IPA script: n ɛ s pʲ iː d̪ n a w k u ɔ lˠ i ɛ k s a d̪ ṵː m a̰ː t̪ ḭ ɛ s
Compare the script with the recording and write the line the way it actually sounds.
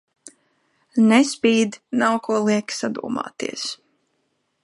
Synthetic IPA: n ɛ s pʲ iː d̪ n a w k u ɔ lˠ i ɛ k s a d̪ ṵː m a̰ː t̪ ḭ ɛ s